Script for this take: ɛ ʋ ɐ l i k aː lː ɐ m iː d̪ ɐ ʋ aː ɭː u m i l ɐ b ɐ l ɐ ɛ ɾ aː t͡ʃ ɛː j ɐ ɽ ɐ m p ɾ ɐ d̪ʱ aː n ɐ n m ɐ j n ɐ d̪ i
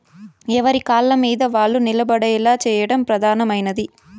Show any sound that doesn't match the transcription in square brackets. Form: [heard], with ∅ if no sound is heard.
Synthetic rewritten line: ɛ ʋ ɐ [ɾ] i k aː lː ɐ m iː d̪ ɐ ʋ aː ɭː u [n] i l ɐ b ɐ [ɽ] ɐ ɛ [l] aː t͡ʃ ɛː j ɐ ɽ ɐ m p ɾ ɐ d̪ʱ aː n ɐ [∅] m ɐ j n ɐ d̪ i